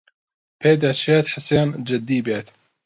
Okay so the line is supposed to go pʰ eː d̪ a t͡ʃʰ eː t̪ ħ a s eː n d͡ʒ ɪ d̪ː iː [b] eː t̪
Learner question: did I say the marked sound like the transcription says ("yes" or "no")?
yes